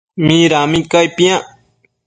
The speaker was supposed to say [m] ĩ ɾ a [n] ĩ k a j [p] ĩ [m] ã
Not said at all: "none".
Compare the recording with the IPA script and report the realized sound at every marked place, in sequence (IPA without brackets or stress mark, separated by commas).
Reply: m, m, p, none